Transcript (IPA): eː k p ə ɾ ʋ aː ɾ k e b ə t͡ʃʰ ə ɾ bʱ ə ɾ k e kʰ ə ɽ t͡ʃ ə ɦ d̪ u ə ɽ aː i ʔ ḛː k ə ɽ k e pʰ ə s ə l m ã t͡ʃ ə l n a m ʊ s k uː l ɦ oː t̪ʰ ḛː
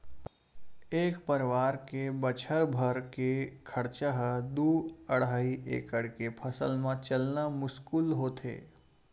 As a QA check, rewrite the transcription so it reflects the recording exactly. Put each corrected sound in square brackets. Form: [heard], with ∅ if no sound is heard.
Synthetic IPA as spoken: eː k p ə ɾ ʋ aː ɾ k e b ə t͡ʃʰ ə ɾ bʱ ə ɾ k e kʰ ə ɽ t͡ʃ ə ɦ d̪ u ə ɽ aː i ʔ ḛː k ə ɽ k e pʰ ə s ə l m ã t͡ʃ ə l n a m ʊ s k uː l ɦ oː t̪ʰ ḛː

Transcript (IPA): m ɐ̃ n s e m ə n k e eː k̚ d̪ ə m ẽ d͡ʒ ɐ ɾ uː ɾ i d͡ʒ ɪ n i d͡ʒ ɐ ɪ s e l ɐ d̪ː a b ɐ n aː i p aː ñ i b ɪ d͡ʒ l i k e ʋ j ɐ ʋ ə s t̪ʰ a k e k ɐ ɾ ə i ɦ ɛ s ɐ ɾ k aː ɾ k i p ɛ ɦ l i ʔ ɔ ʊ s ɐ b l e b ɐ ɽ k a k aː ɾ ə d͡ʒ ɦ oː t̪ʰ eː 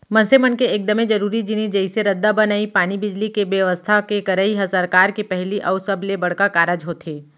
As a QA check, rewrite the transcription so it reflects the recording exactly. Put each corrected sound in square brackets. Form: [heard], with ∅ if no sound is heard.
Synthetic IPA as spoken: m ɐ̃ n s e m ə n k e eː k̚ d̪ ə m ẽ d͡ʒ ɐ ɾ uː ɾ i d͡ʒ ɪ n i d͡ʒ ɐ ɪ s e [ɾ] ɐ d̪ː a b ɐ n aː i p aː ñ i b ɪ d͡ʒ l i k e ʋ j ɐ ʋ ə s t̪ʰ a k e k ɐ ɾ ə i ɦ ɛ s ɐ ɾ k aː ɾ k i p ɛ ɦ l i ʔ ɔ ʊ s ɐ b l e b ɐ ɽ k a k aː ɾ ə d͡ʒ ɦ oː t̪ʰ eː

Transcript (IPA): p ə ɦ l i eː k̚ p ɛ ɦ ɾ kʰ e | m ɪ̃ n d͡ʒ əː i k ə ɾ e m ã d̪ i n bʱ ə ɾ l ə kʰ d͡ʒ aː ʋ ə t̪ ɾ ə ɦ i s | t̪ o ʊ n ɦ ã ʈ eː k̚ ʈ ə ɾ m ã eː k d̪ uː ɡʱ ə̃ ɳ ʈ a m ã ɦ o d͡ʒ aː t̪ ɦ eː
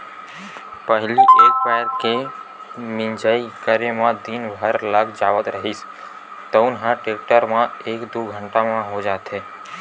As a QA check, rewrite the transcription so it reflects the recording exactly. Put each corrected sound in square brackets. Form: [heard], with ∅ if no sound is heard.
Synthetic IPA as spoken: p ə ɦ l i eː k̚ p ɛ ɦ ɾ [k] e | m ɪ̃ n d͡ʒ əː i k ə ɾ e m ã d̪ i n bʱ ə ɾ l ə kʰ d͡ʒ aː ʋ ə t̪ ɾ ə ɦ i s | t̪ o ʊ n ɦ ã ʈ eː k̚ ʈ ə ɾ m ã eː k d̪ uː ɡʱ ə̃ ɳ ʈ a m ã ɦ o d͡ʒ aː t̪ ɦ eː

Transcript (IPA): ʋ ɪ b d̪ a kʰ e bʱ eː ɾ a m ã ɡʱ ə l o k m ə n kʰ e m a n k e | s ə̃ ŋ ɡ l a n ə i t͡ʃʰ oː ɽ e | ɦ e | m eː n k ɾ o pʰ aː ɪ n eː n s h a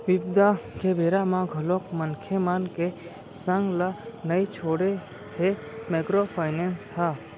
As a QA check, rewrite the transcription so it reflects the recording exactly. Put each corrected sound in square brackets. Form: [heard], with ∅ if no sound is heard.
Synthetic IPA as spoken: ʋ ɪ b d̪ a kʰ e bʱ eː ɾ a m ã ɡʱ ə l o k m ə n kʰ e m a n k e | s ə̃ ŋ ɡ l a n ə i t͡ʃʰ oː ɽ e | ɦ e | m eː [∅] k ɾ o pʰ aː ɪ n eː n s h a

